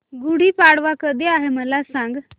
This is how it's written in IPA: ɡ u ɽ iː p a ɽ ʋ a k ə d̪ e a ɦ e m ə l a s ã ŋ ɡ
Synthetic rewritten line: ɡ u ɽ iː p a ɽ ʋ a k ə d̪ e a ɦ e m ə l a s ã ŋ ɡ